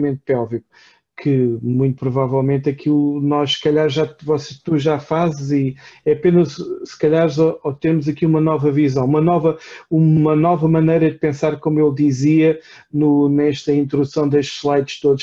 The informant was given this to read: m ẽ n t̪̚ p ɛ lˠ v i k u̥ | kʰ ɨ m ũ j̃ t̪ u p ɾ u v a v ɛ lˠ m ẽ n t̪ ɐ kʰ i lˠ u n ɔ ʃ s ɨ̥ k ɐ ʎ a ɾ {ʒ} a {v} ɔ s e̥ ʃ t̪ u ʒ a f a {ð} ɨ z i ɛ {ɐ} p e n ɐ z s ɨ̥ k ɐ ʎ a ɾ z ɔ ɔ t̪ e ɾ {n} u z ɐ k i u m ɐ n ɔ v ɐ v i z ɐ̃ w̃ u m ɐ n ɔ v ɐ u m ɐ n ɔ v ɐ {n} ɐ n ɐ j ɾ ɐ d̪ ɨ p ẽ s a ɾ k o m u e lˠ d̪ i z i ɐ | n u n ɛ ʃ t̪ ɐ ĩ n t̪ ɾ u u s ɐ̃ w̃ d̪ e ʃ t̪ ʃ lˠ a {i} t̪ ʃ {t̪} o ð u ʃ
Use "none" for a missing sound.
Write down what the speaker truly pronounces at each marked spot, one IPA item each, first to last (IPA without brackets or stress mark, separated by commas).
ʒ, v, z, ɐ, m, m, j, t̪